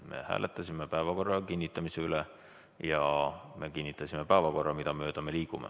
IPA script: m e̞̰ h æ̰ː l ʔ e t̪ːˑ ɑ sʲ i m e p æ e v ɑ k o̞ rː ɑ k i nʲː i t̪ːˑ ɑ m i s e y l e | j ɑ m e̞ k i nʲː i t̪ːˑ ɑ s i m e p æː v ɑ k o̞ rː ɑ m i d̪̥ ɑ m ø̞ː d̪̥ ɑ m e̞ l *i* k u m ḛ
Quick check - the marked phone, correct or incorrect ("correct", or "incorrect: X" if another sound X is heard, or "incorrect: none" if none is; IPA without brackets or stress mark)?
incorrect: iː